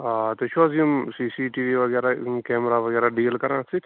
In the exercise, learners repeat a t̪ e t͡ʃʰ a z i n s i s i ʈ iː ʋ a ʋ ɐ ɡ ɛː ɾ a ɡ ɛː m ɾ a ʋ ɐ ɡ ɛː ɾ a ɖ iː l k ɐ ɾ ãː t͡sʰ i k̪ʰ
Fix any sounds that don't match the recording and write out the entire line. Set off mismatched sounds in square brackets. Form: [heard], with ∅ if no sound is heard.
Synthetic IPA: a t̪ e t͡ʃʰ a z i [m] s i s i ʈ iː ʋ [i] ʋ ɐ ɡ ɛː ɾ a [k] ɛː m ɾ a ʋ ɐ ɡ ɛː ɾ a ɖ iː l k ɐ ɾ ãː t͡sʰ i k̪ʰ